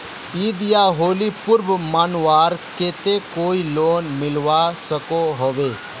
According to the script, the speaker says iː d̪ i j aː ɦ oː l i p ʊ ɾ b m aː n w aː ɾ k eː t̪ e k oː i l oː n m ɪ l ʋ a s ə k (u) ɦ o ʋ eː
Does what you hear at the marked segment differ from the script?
yes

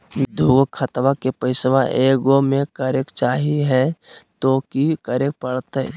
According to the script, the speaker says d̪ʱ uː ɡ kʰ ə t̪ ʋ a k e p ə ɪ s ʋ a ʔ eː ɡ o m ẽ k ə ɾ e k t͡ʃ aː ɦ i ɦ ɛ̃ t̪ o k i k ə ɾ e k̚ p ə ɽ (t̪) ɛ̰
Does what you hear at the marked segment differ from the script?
no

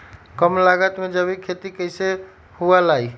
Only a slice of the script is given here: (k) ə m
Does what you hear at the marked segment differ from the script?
no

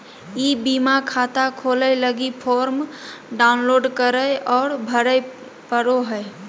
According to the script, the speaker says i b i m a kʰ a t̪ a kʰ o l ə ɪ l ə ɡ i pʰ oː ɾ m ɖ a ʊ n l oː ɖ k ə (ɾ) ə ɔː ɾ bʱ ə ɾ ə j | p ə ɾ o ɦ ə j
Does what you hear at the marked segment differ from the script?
no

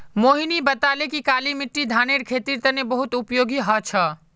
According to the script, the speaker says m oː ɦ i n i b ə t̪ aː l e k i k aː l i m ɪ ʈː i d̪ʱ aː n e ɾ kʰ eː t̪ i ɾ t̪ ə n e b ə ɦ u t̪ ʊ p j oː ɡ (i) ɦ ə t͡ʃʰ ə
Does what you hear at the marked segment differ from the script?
no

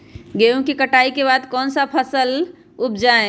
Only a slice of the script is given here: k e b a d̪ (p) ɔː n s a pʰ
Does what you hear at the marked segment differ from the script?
yes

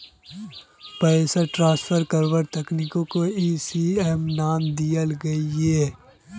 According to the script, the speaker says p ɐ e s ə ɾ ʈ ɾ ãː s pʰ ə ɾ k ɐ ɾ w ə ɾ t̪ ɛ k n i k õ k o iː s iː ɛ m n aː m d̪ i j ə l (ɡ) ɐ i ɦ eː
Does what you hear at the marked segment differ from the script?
no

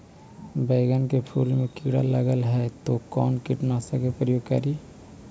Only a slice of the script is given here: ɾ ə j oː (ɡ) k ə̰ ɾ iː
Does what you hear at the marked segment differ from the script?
no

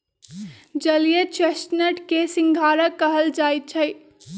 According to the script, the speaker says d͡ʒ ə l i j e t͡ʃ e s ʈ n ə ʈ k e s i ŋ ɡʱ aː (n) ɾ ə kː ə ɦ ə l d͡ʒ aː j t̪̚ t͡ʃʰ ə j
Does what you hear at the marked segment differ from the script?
yes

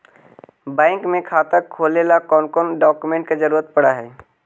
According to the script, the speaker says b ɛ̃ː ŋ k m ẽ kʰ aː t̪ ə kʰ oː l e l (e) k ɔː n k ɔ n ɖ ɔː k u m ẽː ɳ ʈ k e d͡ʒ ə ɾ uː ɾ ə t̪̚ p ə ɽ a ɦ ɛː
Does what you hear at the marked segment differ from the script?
yes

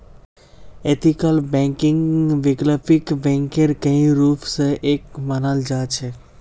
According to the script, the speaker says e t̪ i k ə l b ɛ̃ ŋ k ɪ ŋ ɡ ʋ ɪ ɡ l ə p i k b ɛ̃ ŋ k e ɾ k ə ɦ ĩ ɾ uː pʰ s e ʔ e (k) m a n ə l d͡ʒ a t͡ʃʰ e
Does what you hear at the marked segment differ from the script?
no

